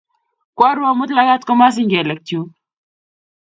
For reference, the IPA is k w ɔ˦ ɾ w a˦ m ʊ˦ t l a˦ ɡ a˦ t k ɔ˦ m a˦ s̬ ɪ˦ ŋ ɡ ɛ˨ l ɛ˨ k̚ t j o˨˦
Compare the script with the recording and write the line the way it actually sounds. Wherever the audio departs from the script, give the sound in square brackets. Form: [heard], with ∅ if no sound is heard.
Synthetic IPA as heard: k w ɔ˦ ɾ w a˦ m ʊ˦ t l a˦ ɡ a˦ t k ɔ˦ m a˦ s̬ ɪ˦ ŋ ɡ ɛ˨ l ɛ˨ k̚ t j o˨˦